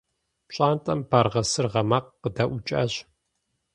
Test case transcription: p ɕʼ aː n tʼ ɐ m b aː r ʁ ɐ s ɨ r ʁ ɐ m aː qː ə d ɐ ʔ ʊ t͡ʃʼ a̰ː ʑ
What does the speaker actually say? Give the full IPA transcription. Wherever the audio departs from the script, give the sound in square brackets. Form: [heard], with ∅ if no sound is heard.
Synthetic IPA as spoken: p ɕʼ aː n tʼ ɐ m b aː r ʁ ɐ s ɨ r ʁ ɐ m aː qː ə d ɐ ʔ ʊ t͡ʃʼ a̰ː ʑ